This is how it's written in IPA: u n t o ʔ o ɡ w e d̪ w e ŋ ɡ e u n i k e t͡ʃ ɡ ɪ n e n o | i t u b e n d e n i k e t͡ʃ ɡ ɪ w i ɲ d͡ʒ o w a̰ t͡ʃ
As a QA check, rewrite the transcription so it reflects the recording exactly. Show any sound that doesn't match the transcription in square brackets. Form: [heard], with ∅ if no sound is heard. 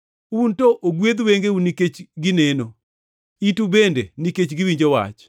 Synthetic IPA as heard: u n t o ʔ o ɡ w e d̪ w e ŋ ɡ e u n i k e t͡ʃ ɡ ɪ n e n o | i t u b e n d e n i k e t͡ʃ ɡ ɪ w i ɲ d͡ʒ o w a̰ t͡ʃ